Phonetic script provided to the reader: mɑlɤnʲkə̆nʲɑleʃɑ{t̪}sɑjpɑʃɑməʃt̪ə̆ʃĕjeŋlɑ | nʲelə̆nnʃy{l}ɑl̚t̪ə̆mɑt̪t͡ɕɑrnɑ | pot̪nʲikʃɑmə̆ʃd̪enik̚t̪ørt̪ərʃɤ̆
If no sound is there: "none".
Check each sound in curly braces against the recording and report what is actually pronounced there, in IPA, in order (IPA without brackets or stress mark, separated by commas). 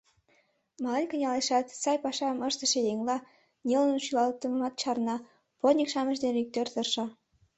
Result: t̪, l